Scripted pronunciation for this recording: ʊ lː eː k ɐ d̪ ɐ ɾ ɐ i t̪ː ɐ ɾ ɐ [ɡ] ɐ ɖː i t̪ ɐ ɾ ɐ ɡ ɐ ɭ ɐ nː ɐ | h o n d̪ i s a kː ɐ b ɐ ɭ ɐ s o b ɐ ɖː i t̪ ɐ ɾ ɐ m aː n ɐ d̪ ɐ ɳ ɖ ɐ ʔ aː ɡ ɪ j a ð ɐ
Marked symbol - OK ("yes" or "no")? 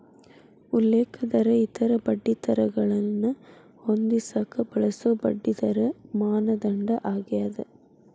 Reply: no